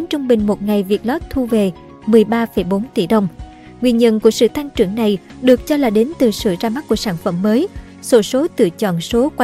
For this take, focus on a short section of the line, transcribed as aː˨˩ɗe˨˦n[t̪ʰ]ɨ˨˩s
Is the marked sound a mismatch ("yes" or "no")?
yes